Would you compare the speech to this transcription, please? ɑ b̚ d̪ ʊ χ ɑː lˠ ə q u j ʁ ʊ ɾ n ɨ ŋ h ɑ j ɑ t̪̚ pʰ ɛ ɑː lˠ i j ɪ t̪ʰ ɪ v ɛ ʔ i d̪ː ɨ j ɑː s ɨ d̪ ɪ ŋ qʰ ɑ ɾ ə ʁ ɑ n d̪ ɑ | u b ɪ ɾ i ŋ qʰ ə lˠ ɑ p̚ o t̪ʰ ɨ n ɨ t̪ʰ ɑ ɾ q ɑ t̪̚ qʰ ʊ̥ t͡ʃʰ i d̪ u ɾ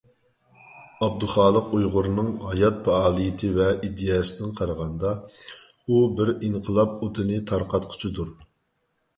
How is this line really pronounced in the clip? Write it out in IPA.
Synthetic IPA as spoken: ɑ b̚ d̪ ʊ χ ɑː lˠ ə q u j ʁ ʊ ɾ n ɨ ŋ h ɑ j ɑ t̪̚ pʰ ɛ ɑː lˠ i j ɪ t̪ʰ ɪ v ɛ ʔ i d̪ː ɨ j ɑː s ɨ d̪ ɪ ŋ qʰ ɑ ɾ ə ʁ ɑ n d̪ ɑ | u b ɪ ɾ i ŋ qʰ ə lˠ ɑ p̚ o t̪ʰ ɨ n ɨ t̪ʰ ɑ ɾ q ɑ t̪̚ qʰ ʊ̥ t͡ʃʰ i d̪ u ɾ